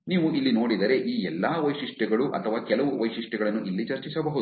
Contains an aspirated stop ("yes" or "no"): yes